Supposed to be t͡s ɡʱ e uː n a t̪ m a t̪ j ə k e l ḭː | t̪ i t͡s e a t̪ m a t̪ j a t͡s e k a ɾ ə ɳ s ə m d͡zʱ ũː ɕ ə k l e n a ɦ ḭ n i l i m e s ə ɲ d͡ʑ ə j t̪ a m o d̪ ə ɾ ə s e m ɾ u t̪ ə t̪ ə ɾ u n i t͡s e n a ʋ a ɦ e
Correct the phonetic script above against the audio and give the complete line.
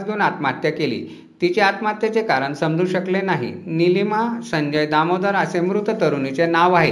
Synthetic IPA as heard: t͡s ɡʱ e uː n a t̪ m a t̪ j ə k e l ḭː | t̪ i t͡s e a t̪ m a t̪ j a t͡s e k a ɾ ə ɳ s ə m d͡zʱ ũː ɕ ə k l e n a ɦ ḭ n i l i m a s ə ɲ d͡ʑ ə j d̪ a m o d̪ ə ɾ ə s e m ɾ u t̪ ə t̪ ə ɾ u n i t͡s e n a ʋ a ɦ e